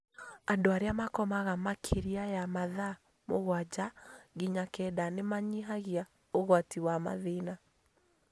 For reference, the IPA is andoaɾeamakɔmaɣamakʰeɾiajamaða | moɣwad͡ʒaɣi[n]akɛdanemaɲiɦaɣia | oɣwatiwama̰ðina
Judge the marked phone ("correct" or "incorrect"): incorrect